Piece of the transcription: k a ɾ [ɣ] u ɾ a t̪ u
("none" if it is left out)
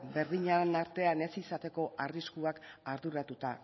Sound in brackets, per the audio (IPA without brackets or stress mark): ð